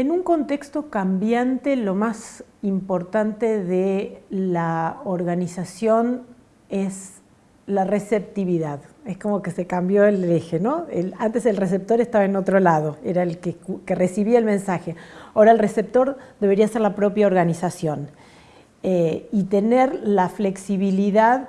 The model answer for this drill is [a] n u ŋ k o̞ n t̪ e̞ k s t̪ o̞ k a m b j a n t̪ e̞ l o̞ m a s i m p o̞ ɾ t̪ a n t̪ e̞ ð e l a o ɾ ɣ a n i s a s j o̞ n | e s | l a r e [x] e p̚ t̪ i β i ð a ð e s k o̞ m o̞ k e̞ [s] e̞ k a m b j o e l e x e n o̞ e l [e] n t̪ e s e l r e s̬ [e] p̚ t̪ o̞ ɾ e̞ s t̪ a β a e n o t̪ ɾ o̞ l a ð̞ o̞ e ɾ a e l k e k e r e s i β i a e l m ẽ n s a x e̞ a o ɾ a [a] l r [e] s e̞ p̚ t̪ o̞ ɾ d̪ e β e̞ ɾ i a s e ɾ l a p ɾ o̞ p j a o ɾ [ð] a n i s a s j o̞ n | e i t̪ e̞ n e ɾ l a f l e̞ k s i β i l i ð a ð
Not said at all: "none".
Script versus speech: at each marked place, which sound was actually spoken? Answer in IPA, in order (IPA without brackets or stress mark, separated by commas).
e, s, s, a, e, e, e, ɣ